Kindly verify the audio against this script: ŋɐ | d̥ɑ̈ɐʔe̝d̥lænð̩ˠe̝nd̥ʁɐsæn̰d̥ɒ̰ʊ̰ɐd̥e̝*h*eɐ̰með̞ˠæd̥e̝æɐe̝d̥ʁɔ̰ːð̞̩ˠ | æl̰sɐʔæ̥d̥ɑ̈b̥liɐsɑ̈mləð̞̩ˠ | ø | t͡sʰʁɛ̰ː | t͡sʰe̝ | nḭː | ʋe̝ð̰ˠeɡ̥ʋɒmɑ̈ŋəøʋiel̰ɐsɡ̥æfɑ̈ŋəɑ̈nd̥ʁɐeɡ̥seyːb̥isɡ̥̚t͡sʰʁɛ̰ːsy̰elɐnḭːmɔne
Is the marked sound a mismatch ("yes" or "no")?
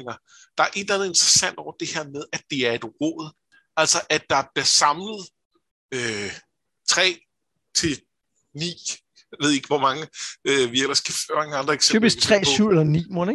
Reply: no